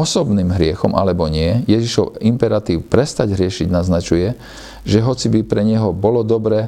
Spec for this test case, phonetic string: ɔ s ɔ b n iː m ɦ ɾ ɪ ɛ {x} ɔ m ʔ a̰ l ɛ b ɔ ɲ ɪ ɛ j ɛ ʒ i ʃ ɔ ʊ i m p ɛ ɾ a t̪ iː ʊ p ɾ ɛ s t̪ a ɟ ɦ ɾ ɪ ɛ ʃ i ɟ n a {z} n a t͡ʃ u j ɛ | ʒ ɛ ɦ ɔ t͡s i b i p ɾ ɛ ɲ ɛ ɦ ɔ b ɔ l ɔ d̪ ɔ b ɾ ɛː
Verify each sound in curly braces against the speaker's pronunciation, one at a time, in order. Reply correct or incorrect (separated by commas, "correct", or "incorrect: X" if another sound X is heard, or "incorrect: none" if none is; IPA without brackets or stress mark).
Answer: correct, correct